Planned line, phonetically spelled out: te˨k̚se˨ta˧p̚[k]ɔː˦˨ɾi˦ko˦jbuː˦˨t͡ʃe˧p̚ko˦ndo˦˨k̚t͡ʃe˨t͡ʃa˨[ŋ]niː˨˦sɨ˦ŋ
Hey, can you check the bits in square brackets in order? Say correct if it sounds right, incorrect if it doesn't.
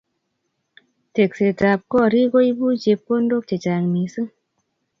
correct, correct

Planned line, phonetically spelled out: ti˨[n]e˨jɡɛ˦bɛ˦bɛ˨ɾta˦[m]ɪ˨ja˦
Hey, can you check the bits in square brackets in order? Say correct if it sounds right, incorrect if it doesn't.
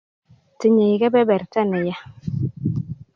incorrect, incorrect

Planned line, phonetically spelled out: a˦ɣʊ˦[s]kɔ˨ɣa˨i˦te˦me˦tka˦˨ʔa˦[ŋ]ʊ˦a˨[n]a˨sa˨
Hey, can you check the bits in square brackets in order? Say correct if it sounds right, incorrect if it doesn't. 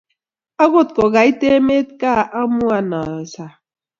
incorrect, incorrect, correct

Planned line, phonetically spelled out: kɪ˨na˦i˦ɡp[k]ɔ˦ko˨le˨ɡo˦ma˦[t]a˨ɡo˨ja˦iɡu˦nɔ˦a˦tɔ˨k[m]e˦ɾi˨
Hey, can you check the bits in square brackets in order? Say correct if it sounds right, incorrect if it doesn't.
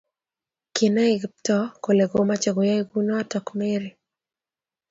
incorrect, incorrect, correct

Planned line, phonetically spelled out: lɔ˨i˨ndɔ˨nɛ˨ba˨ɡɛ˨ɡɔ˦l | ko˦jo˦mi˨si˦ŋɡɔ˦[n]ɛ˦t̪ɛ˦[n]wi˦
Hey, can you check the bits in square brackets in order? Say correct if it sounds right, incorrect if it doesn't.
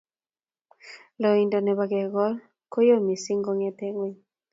incorrect, incorrect

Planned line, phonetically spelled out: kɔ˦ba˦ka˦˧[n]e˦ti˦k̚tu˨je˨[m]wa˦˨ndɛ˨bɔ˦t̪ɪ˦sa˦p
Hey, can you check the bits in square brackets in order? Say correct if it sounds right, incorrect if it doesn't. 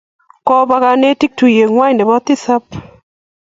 correct, incorrect

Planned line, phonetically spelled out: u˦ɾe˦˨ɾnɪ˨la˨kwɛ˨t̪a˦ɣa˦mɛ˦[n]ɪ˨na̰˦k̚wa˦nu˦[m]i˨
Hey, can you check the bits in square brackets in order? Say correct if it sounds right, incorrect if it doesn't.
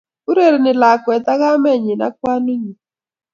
incorrect, incorrect

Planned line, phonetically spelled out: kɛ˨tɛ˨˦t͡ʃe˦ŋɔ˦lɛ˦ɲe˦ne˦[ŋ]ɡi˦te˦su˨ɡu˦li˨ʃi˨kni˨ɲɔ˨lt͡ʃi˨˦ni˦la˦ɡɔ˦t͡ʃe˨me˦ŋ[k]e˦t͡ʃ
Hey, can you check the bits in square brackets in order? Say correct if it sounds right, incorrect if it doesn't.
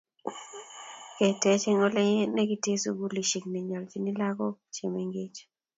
incorrect, incorrect

